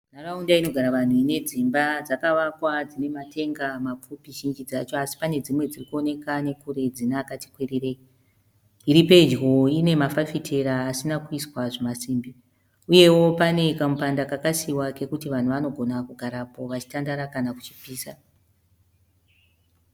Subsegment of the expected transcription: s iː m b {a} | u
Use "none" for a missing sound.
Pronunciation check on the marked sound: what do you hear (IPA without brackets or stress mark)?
i